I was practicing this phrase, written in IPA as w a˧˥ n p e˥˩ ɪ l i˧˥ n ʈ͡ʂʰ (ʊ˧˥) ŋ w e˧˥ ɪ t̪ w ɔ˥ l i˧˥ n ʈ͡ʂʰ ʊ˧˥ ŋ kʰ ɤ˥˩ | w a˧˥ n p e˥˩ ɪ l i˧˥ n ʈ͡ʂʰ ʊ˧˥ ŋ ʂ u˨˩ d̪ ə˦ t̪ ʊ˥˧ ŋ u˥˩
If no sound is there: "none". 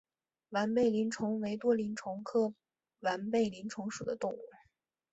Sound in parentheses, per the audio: ʊ˧˥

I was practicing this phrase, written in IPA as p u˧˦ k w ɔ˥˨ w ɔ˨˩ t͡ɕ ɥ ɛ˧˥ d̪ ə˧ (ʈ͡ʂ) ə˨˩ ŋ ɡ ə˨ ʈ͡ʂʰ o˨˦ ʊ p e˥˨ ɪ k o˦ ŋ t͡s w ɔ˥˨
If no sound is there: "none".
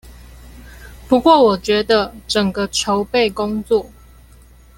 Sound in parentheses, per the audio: ʈ͡ʂ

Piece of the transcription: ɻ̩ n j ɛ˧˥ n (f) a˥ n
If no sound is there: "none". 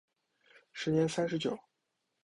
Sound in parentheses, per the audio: s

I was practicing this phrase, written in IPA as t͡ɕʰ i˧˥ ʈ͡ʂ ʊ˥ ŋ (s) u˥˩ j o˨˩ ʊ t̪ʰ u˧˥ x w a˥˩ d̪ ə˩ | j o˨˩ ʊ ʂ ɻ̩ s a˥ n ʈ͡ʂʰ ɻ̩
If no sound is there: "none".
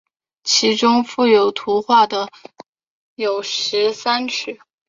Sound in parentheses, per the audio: f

